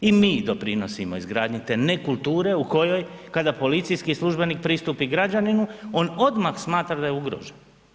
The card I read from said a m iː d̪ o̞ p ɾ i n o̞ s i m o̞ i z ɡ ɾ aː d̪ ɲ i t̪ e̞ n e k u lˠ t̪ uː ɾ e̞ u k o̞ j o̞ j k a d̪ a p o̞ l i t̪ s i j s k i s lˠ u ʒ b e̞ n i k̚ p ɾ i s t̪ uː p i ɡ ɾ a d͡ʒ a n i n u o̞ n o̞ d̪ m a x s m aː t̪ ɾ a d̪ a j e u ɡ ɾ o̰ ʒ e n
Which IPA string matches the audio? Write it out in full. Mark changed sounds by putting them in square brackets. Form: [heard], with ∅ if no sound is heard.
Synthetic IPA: [i] m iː d̪ o̞ p ɾ i n o̞ s i m o̞ i z ɡ ɾ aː d̪ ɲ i t̪ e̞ n e k u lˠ t̪ uː ɾ e̞ u k o̞ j o̞ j k a d̪ a p o̞ l i t̪ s i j s k i s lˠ u ʒ b e̞ n i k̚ p ɾ i s t̪ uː p i ɡ ɾ a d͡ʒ a n i n u o̞ n o̞ d̪ m a x s m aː t̪ ɾ a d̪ a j e u ɡ ɾ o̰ ʒ e n

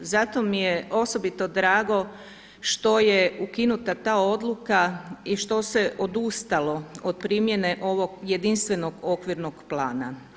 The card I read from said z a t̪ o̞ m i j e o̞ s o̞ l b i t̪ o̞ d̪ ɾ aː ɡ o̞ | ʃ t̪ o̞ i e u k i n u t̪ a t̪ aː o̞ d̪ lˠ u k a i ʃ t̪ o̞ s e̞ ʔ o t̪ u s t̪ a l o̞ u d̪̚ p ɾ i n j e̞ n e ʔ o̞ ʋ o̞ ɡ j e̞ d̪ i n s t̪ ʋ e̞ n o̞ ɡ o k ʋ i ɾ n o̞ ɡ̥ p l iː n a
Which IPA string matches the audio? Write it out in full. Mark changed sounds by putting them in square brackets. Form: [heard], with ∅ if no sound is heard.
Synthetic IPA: z a t̪ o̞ m i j e o̞ s o̞ [∅] b i t̪ o̞ d̪ ɾ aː ɡ o̞ | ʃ t̪ o̞ [j] e u k i n u t̪ a t̪ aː o̞ d̪ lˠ u k a i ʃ t̪ o̞ s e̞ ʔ o [d̪] u s t̪ a l o̞ [o] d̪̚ p ɾ i [m] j e̞ n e ʔ o̞ ʋ o̞ ɡ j e̞ d̪ i n s t̪ ʋ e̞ n o̞ ɡ o k ʋ i ɾ n o̞ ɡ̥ p l [aː] n a

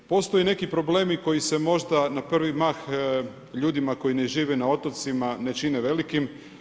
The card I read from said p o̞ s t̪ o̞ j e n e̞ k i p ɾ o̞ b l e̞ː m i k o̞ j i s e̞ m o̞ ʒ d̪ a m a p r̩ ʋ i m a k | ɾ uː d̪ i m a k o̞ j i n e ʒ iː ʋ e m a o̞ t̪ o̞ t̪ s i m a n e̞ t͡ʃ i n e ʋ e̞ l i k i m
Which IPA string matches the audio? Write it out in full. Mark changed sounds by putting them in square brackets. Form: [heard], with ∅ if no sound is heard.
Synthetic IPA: p o̞ s t̪ o̞ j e n e̞ k i p ɾ o̞ b l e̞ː m i k o̞ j i s e̞ m o̞ ʒ d̪ a [n] a p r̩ ʋ i m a [x] | [ʎ] uː d̪ i m a k o̞ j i n e ʒ iː ʋ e [n] a o̞ t̪ o̞ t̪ s i m a n e̞ t͡ʃ i n e ʋ e̞ l i k i m

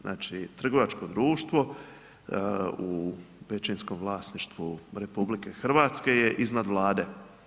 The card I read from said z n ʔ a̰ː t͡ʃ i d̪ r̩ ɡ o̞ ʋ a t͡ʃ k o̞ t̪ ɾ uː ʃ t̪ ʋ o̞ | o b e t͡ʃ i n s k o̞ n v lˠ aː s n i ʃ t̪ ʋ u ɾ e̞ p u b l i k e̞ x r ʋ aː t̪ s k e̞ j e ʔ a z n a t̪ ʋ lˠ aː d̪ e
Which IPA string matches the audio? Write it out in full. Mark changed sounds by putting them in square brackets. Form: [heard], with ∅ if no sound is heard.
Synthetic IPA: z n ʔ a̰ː t͡ʃ i [t̪] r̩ ɡ o̞ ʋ a t͡ʃ k o̞ [d̪] ɾ uː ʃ t̪ ʋ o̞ | [u] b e t͡ʃ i n s k o̞ [m] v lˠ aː s n i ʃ t̪ ʋ u ɾ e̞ p u b l i k e̞ x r ʋ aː t̪ s k e̞ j e ʔ [i] z n a [d̪] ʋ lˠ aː d̪ e

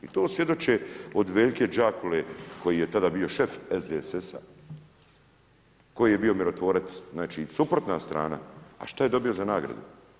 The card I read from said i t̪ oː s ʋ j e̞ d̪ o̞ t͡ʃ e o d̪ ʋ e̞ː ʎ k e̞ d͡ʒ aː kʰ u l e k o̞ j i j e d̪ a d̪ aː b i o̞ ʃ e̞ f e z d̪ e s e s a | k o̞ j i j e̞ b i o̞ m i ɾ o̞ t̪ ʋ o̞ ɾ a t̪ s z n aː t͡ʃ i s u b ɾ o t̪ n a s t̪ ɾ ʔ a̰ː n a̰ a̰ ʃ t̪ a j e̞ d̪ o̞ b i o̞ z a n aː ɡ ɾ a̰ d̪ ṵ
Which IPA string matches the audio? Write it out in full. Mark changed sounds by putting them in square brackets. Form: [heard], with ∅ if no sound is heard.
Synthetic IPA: i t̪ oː s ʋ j e̞ d̪ o̞ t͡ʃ e o d̪ ʋ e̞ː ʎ k e̞ d͡ʒ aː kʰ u l e k o̞ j i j e [t̪] a d̪ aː b i o̞ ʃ e̞ f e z d̪ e s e s a | k o̞ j i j e̞ b i o̞ m i ɾ o̞ t̪ ʋ o̞ ɾ a t̪ s z n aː t͡ʃ i s u [p] ɾ o t̪ n a s t̪ ɾ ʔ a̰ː n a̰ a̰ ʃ t̪ a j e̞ d̪ o̞ b i o̞ z a n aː ɡ ɾ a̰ d̪ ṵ

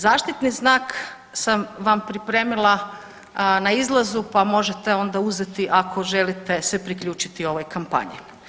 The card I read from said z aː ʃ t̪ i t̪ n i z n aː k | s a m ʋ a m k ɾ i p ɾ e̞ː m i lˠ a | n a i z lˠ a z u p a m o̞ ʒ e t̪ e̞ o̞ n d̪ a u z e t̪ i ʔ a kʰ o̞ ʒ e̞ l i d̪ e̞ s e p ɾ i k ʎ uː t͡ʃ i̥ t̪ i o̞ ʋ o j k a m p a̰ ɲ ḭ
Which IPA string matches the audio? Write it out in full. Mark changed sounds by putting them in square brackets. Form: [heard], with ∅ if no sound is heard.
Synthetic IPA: z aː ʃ t̪ i t̪ n i z n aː k | s a m ʋ a m [p] ɾ i p ɾ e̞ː m i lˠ a | n a i z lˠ a z u p a m o̞ ʒ e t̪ e̞ o̞ n d̪ a u z e t̪ i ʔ a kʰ o̞ ʒ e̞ l i [t̪] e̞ s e p ɾ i k ʎ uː t͡ʃ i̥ t̪ i o̞ ʋ o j k a m p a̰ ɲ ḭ

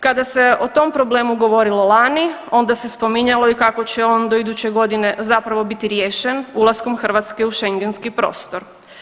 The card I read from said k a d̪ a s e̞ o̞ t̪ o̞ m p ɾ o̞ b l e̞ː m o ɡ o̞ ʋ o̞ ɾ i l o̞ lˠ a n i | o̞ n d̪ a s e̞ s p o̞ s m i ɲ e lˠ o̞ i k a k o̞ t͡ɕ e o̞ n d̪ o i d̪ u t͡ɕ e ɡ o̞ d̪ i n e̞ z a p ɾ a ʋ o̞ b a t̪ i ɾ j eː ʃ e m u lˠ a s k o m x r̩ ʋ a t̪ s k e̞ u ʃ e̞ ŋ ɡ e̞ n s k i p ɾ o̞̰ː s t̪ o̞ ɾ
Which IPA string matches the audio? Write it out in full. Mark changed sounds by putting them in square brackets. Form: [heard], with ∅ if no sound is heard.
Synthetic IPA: k a d̪ a s e̞ o̞ t̪ o̞ m p ɾ o̞ b l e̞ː m [u] ɡ o̞ ʋ o̞ ɾ i l o̞ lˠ a n i | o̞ n d̪ a s e̞ s p o̞ [∅] m i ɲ [a] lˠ o̞ i k a k o̞ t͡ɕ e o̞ n d̪ o i d̪ u t͡ɕ e ɡ o̞ d̪ i n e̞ z a p ɾ a ʋ o̞ b [i] t̪ i ɾ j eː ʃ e [n] u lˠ a s k o m x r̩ ʋ a t̪ s k e̞ u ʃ e̞ ŋ ɡ e̞ n s k i p ɾ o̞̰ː s t̪ o̞ ɾ

